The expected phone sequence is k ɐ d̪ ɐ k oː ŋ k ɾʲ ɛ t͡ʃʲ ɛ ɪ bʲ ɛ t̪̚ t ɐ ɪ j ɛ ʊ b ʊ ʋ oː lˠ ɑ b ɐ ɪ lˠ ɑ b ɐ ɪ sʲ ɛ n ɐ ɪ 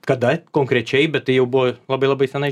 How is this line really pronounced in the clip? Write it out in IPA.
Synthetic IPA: k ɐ d̪ ɐ k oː ŋ k ɾʲ ɛ t͡ʃʲ ɛ ɪ bʲ ɛ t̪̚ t ɐ ɪ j ɛ ʊ b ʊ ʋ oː lˠ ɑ b ɐ ɪ lˠ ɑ b ɐ ɪ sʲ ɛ n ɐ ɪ